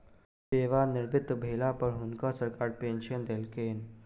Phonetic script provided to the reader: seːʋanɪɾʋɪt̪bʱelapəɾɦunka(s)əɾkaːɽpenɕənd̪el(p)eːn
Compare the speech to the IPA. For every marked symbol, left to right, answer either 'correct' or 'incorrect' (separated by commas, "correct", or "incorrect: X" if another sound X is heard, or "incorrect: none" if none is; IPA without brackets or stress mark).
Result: correct, incorrect: k